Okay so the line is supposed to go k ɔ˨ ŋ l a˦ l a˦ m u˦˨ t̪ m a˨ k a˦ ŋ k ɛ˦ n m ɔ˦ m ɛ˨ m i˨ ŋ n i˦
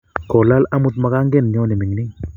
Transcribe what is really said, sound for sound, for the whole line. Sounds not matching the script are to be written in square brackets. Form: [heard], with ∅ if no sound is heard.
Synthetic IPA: k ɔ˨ [∅] l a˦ l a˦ m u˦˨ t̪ m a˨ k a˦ ŋ [ɡ] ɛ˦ n [ɲ] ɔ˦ [n] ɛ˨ m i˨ ŋ n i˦